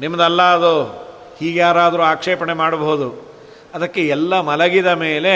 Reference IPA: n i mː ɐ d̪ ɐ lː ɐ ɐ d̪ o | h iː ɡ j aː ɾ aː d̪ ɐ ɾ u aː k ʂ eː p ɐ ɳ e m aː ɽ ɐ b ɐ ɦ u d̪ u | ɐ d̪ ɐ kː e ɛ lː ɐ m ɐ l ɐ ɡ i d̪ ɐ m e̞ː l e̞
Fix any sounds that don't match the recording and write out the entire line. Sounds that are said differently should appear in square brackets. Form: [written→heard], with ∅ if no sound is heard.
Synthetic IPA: n i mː ɐ d̪ ɐ lː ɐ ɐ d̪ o | h iː ɡ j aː ɾ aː d̪ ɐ ɾ u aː k ʂ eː p ɐ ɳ e m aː ɽ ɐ b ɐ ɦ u d̪ u | ɐ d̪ ɐ kː e ɛ lː ɐ m ɐ l ɐ ɡ i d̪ ɐ m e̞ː l e̞